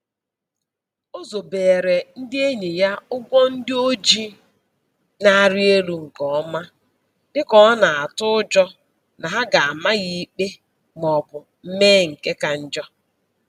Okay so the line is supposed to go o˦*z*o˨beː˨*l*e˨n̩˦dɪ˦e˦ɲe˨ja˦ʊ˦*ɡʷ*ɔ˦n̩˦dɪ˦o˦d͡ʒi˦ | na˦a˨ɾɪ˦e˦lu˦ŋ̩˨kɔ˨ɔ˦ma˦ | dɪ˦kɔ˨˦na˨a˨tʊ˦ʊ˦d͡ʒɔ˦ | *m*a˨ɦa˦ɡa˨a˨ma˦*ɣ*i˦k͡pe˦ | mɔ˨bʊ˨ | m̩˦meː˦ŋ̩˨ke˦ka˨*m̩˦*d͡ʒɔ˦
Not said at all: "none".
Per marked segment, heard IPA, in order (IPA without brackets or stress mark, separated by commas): z, ɾ, ɡʷ, n, ɣ, n̩˦